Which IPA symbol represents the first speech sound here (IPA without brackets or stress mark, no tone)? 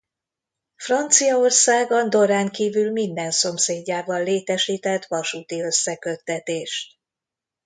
f